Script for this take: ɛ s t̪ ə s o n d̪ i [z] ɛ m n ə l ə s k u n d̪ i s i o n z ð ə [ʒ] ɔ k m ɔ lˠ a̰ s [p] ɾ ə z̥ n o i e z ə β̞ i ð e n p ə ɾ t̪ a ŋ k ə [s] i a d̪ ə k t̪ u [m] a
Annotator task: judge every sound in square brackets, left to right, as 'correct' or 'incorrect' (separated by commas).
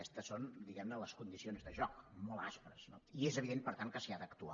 incorrect, correct, correct, correct, incorrect